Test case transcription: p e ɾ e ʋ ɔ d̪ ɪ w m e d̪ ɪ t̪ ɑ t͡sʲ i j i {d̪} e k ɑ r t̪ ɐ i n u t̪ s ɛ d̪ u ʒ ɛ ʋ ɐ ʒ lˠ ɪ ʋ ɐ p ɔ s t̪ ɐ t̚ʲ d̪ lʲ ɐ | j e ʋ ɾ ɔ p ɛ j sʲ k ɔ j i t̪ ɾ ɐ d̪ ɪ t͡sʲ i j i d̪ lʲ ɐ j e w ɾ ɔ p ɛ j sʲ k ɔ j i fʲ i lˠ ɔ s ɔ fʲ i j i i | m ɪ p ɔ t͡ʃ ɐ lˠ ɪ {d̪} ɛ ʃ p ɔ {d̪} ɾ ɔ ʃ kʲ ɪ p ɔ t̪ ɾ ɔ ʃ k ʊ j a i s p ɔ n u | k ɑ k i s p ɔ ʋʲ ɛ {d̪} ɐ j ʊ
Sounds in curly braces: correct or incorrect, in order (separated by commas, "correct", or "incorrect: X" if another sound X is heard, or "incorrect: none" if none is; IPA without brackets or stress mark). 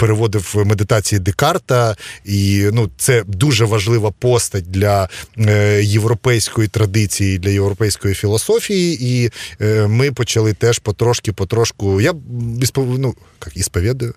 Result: correct, incorrect: t̪, incorrect: t̪, correct